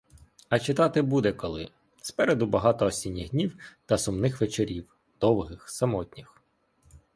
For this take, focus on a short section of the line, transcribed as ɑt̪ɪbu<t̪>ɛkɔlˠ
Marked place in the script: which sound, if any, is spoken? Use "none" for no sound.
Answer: d̪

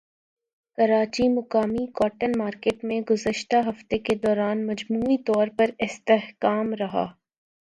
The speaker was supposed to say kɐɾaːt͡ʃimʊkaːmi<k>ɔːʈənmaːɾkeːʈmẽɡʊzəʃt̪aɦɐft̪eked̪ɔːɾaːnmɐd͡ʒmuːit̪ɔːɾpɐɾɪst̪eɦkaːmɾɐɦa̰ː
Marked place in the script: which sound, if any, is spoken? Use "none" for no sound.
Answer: k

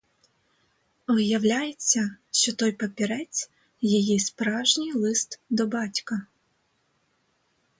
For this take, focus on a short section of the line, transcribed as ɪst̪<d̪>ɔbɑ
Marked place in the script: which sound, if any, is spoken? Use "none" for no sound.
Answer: d̪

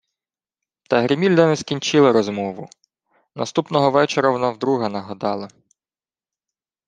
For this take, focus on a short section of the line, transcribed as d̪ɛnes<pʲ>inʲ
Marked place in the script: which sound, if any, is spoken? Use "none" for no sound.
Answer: kʲ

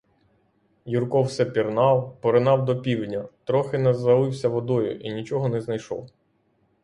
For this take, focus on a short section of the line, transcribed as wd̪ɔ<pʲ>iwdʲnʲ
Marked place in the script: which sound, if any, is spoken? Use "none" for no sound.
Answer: pʲ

